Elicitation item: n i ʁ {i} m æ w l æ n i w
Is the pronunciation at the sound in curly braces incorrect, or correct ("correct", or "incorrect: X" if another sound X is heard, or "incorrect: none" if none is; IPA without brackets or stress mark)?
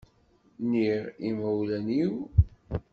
correct